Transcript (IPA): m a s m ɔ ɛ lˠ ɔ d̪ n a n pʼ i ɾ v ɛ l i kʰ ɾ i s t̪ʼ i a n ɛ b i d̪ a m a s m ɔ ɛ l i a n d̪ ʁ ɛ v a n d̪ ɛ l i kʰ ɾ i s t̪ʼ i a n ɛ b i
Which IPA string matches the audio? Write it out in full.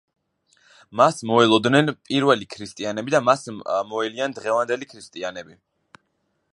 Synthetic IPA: m a s m ɔ ɛ lˠ ɔ d̪ n ɛ n pʼ i ɾ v ɛ l i kʰ ɾ i s t̪ʼ i a n ɛ b i d̪ a m a s m ɔ ɛ l i a n d̪ ʁ ɛ v a n d̪ ɛ l i kʰ ɾ i s t̪ʼ i a n ɛ b i